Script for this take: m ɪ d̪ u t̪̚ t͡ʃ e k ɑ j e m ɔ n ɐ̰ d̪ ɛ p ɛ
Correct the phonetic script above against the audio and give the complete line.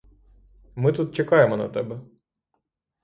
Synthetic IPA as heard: m ɪ t̪ u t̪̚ t͡ʃ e k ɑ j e m ɔ n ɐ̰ t̪ ɛ b ɛ